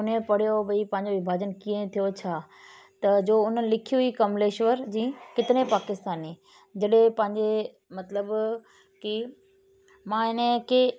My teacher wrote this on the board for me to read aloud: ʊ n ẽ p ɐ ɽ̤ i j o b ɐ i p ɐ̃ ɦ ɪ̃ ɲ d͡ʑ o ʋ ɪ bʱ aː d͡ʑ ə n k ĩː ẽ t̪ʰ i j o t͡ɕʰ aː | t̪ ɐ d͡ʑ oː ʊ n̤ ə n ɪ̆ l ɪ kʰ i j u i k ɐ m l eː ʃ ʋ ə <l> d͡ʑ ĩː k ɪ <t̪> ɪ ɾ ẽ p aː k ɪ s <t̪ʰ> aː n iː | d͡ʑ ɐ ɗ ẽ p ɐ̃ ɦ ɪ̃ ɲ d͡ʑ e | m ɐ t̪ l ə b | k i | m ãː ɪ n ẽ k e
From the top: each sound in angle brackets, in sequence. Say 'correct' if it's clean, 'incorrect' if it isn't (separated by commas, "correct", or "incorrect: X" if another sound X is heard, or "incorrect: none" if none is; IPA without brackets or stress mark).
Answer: incorrect: ɾ, correct, incorrect: t̪